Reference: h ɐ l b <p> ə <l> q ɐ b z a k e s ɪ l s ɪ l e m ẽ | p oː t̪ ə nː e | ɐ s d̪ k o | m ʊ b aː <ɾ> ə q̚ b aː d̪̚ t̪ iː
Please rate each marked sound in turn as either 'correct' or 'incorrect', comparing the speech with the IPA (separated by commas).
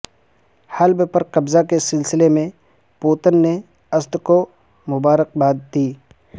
correct, incorrect, correct